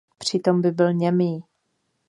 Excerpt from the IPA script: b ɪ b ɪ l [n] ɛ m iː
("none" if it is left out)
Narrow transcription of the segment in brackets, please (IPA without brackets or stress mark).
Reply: ɲ